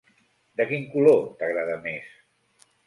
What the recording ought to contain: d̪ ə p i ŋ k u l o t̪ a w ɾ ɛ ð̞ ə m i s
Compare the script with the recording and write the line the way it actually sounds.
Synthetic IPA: d̪ ə k i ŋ k u l o t̪ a ɣ ɾ a ð̞ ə m e s

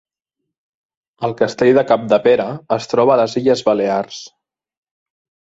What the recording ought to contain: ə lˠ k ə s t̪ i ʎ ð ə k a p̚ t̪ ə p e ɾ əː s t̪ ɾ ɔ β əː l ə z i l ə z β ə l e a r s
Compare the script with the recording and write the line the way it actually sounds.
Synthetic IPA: ə lˠ k ə s t̪ e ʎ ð ə k a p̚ d̪ ə p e ɾ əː s t̪ ɾ ɔ β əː l ə z i ʎ ə z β ə l e a r s

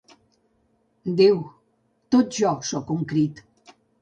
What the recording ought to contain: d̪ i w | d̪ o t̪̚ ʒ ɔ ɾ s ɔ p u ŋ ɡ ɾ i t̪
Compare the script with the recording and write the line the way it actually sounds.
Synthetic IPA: d̪ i w | t̪ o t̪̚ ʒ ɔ s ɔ k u ŋ k ɾ i t̪

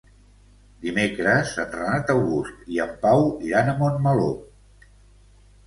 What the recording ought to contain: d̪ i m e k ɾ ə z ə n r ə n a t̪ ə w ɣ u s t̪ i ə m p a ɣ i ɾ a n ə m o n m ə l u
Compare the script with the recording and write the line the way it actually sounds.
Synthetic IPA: d̪ i m e k ɾ ə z ə n r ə n a t̪ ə w ɣ u s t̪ i ə m p a w i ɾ a n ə m o n m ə l o

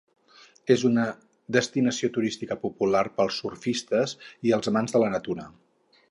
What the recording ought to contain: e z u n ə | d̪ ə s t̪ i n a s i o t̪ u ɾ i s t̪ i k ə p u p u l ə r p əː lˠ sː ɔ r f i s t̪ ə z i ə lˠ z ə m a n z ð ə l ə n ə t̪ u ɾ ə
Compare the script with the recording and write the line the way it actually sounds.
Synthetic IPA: e z u n ə | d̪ ə s t̪ i n ə s i o t̪ u ɾ i s t̪ i k ə p u p u l a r p ə lˠ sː u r f i s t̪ ə z i ə lˠ z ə m a n z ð ə l ə n ə t̪ u ɾ ə

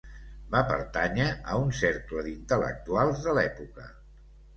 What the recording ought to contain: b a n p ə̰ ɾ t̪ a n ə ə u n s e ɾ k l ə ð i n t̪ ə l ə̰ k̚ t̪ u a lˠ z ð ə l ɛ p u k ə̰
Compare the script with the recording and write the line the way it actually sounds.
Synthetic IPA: b a p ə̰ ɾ t̪ a ɲ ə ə u n s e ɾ k l ə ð i n t̪ ə l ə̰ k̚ t̪ u a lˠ z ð ə l ɛ p u k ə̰

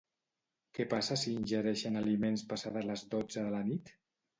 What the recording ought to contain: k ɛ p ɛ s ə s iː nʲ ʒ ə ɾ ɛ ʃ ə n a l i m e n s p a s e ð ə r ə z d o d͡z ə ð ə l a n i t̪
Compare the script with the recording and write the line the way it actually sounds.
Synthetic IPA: k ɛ p a s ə s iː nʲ ʒ ə ɾ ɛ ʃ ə n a l i m e n s p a s a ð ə l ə z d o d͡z ə ð ə l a n i t̪

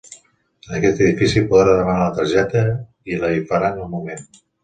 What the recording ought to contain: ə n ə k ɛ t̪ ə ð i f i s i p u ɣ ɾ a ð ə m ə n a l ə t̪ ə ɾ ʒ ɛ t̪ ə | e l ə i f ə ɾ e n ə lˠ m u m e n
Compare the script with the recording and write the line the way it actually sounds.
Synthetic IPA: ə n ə k ɛ t̪ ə ð i f i s i p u ð ɾ a ð ə m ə n a l ə t̪ ə ɾ ʒ ɛ t̪ ə | i l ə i f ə ɾ a n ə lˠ m u m e n

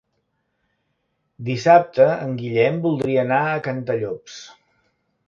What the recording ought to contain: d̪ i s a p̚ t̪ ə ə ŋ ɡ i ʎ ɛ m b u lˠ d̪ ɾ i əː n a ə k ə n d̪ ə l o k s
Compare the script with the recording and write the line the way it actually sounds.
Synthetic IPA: d̪ i s a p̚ t̪ ə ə ŋ ɡ i ʎ ɛ m b u lˠ d̪ ɾ i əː n a ə k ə n t̪ ə ʎ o p s

